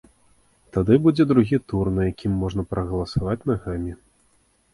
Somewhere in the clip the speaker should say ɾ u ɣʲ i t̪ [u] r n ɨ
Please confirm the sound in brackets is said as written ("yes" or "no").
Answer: yes